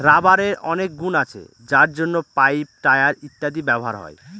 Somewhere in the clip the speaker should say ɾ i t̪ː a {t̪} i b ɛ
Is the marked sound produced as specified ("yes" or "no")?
no